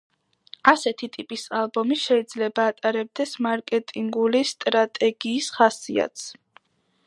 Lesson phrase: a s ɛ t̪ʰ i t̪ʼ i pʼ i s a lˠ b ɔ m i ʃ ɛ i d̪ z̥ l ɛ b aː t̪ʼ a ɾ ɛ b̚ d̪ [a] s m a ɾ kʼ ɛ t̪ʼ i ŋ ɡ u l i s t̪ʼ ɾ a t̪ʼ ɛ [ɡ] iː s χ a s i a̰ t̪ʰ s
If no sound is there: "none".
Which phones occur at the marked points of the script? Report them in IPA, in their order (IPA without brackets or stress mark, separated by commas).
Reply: ɛ, ɡ